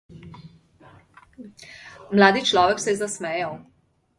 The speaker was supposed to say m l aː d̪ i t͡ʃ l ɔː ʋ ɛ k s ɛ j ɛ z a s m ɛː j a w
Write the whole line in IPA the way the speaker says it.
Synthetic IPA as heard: m l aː d̪ i t͡ʃ l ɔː ʋ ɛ k s ɛ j ɛ z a s m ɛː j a w